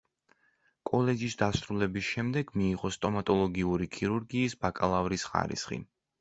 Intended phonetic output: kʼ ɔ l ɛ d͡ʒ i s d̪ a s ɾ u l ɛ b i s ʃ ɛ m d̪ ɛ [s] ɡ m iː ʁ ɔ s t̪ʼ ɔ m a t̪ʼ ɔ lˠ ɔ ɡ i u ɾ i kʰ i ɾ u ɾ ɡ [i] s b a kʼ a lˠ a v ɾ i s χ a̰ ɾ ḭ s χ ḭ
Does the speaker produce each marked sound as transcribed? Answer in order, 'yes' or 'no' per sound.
no, no

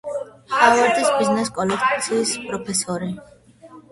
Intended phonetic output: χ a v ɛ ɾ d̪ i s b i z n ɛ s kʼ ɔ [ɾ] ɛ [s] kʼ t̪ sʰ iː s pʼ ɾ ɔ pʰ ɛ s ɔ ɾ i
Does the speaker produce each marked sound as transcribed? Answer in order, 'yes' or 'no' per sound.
no, no

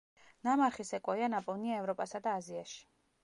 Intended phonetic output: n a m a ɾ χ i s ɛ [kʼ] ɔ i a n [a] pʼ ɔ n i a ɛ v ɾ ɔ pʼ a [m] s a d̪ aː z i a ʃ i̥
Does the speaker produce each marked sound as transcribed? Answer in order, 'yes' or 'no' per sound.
yes, yes, no

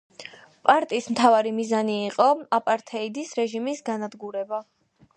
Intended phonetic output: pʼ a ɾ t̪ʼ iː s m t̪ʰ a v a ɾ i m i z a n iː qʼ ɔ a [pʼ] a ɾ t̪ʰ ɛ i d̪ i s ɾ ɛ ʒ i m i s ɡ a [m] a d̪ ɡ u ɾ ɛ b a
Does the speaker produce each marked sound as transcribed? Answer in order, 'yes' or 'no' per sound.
yes, no

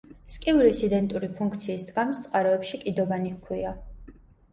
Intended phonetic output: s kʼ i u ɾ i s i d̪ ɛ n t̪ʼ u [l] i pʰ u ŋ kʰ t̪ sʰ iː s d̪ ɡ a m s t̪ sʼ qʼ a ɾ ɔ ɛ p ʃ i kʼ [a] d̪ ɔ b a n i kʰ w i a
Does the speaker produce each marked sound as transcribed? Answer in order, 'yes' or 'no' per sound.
no, no

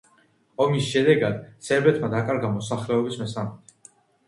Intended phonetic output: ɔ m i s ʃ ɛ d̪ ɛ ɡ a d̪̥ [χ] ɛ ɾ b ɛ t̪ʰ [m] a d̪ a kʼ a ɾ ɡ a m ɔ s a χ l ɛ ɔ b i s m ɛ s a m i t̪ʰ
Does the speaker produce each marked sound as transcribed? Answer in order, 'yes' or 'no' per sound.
no, yes

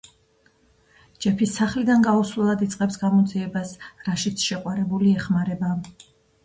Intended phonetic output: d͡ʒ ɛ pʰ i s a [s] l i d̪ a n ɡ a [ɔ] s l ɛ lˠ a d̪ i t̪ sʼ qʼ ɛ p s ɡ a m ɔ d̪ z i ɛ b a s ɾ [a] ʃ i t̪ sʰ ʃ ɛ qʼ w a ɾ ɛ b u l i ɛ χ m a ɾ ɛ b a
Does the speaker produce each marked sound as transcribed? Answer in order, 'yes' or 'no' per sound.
no, no, yes

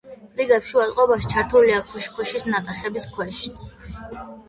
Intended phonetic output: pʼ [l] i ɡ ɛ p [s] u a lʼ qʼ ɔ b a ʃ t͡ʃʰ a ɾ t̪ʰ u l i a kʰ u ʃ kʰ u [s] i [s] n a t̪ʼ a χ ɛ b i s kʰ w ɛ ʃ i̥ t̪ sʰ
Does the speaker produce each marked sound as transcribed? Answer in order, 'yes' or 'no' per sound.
no, no, no, yes

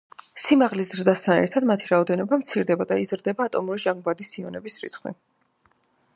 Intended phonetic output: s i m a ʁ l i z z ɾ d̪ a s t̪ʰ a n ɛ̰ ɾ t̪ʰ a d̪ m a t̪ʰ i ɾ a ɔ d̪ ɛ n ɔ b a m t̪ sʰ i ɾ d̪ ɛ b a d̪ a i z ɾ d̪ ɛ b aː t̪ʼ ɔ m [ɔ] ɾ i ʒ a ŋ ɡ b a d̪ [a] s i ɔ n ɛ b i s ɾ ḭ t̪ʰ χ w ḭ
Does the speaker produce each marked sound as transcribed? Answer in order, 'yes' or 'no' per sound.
no, no

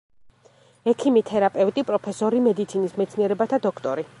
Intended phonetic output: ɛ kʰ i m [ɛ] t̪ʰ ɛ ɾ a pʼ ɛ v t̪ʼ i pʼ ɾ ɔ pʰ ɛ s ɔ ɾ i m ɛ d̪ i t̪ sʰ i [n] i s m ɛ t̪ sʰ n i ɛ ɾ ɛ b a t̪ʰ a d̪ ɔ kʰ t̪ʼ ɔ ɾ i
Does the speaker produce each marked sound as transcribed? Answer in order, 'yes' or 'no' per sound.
no, yes

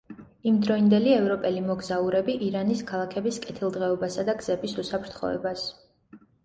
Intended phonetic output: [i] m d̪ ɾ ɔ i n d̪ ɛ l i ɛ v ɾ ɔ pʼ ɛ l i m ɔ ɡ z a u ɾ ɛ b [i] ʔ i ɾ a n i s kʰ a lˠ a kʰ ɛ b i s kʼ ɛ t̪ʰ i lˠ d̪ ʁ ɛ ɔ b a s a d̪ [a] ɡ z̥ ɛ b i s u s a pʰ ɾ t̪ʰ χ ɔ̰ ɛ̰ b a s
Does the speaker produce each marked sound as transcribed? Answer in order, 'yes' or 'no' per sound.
yes, yes, yes

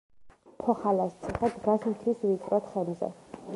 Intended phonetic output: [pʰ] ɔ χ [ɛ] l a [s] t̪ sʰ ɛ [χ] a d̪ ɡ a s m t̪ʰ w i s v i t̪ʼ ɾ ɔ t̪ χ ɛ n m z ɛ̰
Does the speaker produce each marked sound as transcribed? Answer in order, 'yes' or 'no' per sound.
yes, no, yes, yes

